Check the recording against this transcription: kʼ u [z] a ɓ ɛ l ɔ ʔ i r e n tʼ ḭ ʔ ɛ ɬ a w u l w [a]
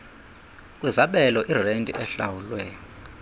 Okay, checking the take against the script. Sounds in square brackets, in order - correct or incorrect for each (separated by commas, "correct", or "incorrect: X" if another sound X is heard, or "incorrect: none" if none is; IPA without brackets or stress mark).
correct, incorrect: ɛ